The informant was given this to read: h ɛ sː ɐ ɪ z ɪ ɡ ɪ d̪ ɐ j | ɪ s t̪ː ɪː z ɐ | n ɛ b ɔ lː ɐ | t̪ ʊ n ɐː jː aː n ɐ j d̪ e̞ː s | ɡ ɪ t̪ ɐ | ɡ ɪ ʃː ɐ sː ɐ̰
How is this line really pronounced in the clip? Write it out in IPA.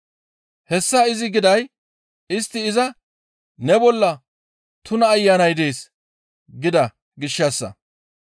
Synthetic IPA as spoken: h ɛ sː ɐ ɪ z ɪ ɡ ɪ d̪ ɐ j | ɪ s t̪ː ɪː z ɐ | n ɛ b ɔ lː ɐ | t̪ ʊ n ɐː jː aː n ɐ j d̪ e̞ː s | ɡ ɪ d̪ ɐ | ɡ ɪ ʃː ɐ sː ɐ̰